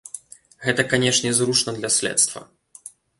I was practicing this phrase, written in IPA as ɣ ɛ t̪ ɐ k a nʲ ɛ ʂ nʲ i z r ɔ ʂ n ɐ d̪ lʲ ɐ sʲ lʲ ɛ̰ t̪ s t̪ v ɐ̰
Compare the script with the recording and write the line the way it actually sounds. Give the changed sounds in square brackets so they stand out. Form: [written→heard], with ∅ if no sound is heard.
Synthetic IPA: ɣ ɛ t̪ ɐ k a nʲ ɛ ʂ nʲ [i→ɛ] z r [ɔ→u] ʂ n ɐ d̪ lʲ ɐ sʲ lʲ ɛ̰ t̪ s t̪ v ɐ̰